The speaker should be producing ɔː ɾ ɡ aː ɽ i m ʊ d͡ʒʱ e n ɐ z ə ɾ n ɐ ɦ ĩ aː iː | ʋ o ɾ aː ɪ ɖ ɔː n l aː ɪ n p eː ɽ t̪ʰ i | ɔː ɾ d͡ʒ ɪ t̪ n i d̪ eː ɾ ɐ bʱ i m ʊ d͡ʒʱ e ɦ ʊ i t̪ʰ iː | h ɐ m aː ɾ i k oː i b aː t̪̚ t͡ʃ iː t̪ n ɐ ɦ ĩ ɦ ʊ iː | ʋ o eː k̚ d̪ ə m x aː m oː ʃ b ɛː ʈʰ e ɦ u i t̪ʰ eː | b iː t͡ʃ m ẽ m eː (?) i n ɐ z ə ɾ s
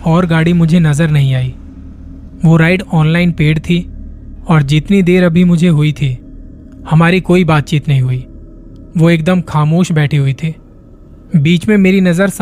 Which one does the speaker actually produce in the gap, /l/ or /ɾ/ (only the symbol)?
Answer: ɾ